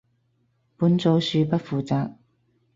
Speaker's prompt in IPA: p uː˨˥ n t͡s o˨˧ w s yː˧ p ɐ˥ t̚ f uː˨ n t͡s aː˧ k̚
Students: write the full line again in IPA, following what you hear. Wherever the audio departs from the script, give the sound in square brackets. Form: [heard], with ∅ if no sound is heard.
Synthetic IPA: p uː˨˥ n t͡s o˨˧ w s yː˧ p ɐ˥ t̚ f uː˨ [∅] t͡s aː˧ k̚